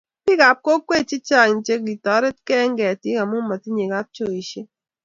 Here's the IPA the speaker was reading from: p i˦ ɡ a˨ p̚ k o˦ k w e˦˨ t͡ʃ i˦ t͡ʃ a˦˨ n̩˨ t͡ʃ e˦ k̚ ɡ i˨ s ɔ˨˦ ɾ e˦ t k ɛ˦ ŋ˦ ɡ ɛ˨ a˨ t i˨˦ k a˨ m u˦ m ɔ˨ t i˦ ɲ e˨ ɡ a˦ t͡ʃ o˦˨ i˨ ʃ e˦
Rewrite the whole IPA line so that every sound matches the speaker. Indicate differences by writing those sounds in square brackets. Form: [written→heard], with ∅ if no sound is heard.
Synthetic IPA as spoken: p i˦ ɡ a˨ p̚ k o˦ k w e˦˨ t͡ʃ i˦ t͡ʃ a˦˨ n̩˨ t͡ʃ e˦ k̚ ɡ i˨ [s→t] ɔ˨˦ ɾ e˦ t k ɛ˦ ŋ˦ ɡ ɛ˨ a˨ t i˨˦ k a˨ m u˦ m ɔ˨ t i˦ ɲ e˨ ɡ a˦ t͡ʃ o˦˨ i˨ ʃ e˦

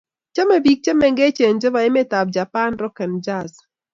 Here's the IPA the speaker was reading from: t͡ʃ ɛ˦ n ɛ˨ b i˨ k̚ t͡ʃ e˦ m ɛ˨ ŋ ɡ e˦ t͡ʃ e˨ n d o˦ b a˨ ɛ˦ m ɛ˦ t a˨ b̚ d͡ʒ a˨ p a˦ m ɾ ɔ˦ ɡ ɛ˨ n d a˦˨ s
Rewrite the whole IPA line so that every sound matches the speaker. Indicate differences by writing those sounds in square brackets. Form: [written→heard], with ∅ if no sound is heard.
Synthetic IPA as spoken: t͡ʃ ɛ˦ [n→m] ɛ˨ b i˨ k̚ t͡ʃ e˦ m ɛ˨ ŋ ɡ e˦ t͡ʃ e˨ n [d→d͡ʒ] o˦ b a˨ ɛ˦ m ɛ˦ t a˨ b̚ d͡ʒ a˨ p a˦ [m→n] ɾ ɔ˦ [ɡ→k] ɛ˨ n [d→d͡ʒ] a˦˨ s

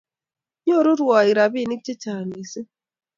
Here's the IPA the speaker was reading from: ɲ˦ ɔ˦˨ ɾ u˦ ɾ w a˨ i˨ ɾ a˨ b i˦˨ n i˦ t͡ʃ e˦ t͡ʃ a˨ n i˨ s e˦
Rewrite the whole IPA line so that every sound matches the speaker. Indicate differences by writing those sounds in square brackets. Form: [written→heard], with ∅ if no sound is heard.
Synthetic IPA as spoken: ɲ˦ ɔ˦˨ ɾ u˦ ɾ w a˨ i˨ ɾ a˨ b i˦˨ n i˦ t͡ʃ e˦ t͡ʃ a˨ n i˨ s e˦

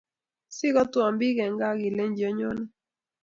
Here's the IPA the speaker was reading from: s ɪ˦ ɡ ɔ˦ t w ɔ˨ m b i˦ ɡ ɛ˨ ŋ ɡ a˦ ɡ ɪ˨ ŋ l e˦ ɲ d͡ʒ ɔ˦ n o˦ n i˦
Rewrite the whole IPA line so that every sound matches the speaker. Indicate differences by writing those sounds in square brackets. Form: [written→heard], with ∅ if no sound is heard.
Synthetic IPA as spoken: s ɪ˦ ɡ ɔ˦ t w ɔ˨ m b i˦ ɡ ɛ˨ ŋ ɡ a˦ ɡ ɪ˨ [ŋ→∅] l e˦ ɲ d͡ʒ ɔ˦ [n→ɲ] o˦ n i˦

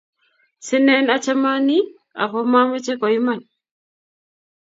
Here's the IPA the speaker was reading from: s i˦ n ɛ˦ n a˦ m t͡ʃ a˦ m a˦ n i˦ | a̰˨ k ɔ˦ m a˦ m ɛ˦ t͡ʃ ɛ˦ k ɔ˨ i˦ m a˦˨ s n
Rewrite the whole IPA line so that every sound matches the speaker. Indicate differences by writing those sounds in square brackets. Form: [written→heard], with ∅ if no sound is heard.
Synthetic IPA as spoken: s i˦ n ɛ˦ n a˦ [m→∅] t͡ʃ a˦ m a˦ n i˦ | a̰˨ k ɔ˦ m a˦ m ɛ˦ t͡ʃ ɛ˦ k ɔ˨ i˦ m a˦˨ [s→∅] n

